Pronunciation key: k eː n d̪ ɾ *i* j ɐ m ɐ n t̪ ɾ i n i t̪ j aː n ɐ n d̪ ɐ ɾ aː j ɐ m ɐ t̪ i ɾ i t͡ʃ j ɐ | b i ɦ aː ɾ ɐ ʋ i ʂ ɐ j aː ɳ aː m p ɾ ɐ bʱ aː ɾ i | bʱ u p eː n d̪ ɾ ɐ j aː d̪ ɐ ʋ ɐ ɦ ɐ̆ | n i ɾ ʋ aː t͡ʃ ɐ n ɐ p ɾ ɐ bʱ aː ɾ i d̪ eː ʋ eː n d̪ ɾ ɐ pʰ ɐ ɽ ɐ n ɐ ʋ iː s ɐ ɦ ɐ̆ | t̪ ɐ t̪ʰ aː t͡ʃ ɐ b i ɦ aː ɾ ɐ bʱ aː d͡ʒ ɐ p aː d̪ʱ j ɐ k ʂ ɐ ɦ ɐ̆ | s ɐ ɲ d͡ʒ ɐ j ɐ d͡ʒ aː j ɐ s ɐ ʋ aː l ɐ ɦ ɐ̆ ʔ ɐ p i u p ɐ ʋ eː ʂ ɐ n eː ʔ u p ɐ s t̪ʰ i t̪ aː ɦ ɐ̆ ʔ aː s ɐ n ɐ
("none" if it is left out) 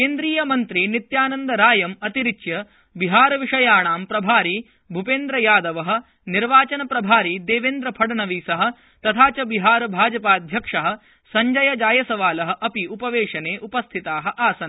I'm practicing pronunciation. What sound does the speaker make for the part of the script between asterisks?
iː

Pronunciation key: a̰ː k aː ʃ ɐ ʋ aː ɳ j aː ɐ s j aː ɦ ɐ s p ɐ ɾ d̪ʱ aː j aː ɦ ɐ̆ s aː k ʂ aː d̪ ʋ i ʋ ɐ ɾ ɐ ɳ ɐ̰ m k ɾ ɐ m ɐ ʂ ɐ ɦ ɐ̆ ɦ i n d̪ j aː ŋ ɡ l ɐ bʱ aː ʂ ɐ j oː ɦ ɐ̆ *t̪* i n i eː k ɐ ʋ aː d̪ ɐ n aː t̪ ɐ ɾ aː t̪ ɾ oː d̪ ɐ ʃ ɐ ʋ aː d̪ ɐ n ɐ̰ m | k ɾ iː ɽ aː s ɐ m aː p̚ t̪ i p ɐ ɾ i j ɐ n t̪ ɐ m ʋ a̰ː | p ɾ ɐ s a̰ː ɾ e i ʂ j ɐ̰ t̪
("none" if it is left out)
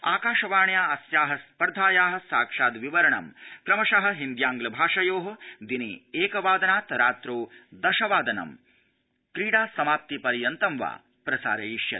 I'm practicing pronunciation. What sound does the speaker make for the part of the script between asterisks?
d̪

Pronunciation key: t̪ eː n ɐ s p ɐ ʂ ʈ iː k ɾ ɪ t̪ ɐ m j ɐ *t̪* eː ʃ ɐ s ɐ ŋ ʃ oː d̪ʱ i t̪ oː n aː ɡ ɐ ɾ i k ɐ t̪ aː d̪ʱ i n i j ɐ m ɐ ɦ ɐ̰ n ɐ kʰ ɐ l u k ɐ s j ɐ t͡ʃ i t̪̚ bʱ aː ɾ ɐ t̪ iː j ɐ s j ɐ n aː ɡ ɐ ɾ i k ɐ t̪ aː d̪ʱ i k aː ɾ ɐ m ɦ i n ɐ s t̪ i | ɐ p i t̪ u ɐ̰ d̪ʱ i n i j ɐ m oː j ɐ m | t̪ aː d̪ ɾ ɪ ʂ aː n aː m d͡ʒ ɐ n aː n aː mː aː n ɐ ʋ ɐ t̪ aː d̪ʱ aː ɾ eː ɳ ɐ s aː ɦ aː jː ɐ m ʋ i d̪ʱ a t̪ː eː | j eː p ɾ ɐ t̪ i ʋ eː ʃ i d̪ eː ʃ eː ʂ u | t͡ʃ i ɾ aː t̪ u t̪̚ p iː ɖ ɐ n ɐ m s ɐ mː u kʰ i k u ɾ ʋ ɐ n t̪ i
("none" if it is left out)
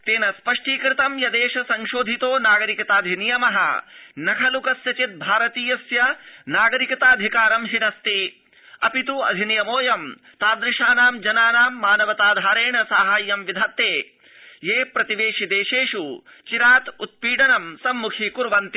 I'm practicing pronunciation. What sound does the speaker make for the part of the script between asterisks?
d̪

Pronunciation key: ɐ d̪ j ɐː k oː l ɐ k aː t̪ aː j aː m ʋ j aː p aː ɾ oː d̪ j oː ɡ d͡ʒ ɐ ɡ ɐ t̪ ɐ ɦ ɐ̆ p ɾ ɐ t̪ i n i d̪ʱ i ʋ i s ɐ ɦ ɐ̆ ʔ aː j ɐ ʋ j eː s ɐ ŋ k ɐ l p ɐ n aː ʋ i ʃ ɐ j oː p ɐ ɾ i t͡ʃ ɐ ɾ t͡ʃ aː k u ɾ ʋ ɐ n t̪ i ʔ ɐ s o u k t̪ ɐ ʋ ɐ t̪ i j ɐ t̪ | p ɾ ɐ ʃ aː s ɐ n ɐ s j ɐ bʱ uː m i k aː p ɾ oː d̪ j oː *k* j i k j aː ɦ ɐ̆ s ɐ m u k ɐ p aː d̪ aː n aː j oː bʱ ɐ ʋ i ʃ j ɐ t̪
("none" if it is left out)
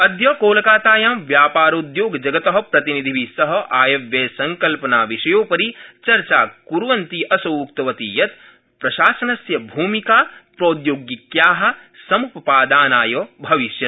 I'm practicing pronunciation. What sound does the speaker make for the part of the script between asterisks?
ɡ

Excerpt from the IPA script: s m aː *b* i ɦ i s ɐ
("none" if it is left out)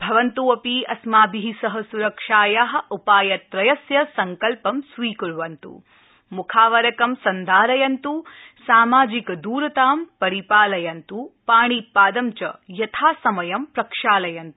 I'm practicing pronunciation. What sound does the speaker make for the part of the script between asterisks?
b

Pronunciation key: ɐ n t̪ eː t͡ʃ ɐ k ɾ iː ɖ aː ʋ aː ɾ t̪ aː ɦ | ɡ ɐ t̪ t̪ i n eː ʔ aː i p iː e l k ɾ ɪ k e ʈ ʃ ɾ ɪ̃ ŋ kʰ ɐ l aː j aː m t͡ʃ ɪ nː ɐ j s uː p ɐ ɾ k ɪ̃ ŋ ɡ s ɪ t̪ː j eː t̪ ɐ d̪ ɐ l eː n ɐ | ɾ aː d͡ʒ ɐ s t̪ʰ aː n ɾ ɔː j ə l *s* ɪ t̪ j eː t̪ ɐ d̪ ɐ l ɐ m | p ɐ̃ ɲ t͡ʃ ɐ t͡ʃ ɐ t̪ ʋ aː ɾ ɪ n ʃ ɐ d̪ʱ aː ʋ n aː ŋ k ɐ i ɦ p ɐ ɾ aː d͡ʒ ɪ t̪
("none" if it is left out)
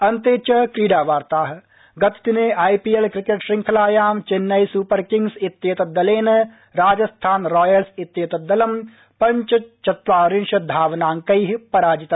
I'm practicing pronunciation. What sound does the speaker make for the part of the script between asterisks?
s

